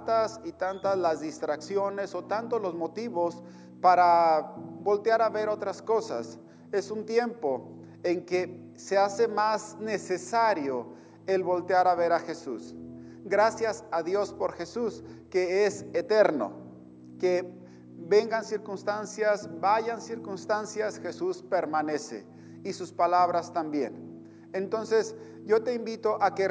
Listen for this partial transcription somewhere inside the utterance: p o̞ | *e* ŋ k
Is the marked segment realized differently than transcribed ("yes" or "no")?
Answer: no